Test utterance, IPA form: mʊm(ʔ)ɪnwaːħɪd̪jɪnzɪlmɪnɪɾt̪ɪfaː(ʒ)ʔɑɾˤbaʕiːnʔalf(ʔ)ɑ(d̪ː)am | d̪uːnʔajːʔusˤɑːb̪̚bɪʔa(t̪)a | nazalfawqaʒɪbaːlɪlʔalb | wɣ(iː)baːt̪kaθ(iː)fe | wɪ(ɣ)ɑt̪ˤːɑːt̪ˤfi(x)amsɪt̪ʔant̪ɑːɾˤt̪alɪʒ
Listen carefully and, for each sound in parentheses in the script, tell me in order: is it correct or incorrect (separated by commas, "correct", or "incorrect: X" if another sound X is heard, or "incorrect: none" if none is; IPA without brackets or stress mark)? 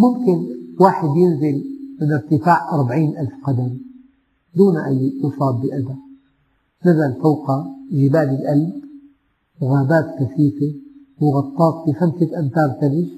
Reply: incorrect: k, incorrect: ʕ, incorrect: q, incorrect: d̪, incorrect: d̪, incorrect: aː, correct, correct, correct